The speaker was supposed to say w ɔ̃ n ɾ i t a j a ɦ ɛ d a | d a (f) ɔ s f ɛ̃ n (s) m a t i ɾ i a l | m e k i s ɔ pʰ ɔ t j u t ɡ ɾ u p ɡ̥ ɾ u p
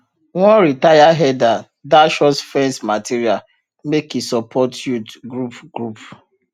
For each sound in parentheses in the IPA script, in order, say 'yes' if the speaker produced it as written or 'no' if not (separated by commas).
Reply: no, yes